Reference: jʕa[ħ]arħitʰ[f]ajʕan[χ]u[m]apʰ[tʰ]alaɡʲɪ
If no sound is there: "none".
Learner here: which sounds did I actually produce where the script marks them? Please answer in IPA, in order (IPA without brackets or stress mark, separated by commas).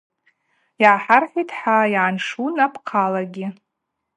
ħ, ħ, ʂ, n, qʰ